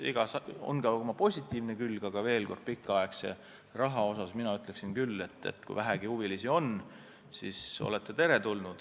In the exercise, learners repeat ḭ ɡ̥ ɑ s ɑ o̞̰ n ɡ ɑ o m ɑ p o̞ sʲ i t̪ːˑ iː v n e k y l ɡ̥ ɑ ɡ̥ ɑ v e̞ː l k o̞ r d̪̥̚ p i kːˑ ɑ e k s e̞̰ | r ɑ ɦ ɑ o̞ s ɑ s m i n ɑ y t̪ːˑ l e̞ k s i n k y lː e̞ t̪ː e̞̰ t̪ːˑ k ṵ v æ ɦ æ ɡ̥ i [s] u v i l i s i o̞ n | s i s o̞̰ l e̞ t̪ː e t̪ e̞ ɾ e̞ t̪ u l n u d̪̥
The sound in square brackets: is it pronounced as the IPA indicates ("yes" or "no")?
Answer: no